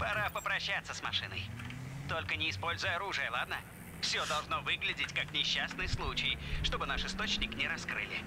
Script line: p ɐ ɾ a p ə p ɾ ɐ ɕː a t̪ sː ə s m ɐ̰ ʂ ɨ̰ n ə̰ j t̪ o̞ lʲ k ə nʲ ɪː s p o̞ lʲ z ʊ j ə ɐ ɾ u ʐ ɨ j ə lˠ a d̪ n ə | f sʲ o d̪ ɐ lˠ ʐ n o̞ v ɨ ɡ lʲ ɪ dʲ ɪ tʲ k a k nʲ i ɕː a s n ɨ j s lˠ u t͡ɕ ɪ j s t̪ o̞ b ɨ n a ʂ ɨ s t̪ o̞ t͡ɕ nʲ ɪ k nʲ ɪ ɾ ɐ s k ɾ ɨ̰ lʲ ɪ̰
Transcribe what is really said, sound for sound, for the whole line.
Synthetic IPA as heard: p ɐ ɾ a p ə p ɾ ɐ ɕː a t̪ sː ə s m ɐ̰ ʂ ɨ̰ n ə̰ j t̪ o̞ lʲ k ə nʲ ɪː s p o̞ lʲ z ʊ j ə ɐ ɾ u ʐ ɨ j ə lˠ a d̪ n ə | f sʲ o d̪ ɐ lˠ ʐ n o̞ v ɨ ɡ lʲ ɪ dʲ ɪ tʲ k a k nʲ ɪ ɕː a s n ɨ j s lˠ u t͡ɕ ɪ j ʂ t̪ o̞ b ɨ n a ʂ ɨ s t̪ o̞ t͡ɕ nʲ ɪ k nʲ ɪ ɾ ɐ s k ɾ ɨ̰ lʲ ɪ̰